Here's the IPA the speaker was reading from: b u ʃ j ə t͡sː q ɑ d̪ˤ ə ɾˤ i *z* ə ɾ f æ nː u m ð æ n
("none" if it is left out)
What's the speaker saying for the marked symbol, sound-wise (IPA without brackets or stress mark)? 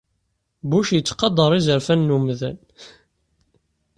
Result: z